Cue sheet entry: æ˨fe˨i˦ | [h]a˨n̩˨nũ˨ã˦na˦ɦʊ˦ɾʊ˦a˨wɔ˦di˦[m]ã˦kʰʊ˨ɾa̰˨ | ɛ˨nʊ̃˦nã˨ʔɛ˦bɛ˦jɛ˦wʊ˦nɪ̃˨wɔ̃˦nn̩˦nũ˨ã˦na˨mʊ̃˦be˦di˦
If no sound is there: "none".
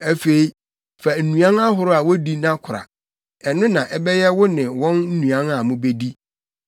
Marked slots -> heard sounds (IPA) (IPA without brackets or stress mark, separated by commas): f, n